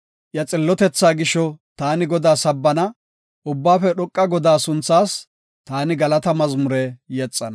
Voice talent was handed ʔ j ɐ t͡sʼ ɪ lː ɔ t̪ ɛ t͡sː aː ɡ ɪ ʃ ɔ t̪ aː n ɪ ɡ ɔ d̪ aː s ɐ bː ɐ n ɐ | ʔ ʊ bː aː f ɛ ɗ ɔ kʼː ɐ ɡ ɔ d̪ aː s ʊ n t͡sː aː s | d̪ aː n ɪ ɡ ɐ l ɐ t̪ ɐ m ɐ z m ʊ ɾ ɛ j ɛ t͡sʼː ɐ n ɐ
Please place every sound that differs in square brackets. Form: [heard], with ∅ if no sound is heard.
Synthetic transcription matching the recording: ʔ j ɐ t͡sʼ ɪ lː ɔ t̪ ɛ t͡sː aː ɡ ɪ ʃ ɔ t̪ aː n ɪ ɡ ɔ d̪ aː s ɐ bː ɐ n ɐ | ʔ ʊ bː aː f ɛ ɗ ɔ kʼː ɐ ɡ ɔ d̪ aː s ʊ n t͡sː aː s | [t̪] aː n ɪ ɡ ɐ l ɐ t̪ ɐ m ɐ z m ʊ ɾ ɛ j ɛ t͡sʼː ɐ n ɐ